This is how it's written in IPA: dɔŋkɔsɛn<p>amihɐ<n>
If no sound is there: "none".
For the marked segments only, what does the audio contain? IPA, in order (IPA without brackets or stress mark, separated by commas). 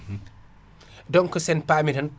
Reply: p, n